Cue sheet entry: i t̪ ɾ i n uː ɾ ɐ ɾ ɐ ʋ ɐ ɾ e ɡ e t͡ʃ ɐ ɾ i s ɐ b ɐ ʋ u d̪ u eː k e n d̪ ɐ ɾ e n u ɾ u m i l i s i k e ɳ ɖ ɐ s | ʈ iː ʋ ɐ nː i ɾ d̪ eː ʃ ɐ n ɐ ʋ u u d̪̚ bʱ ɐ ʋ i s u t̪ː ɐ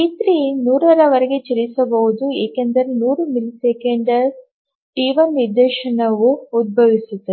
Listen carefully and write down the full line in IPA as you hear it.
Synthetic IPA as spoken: i t̪ ɾ i n uː ɾ ɐ ɾ ɐ ʋ ɐ ɾ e ɡ e t͡ʃ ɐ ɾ i s ɐ b ɐ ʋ u d̪ u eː k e n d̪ ɐ ɾ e n uː ɾ u m i l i s e k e ɳ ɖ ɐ s | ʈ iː ʋ ɐ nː i ɾ d̪ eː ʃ ɐ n ɐ ʋ u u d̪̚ bʱ ɐ ʋ i s u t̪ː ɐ